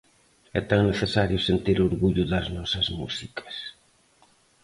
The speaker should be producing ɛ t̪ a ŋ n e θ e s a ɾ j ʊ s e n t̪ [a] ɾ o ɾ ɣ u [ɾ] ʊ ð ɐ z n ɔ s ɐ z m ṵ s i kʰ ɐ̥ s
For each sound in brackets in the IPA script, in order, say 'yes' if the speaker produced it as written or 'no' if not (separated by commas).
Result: no, no